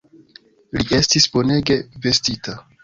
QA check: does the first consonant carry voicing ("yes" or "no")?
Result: yes